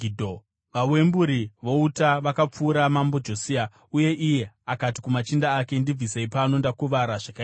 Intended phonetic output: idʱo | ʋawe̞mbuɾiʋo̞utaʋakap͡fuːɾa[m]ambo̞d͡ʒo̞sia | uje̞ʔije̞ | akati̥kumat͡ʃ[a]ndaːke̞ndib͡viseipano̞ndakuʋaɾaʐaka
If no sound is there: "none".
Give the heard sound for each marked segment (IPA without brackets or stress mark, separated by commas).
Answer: m, i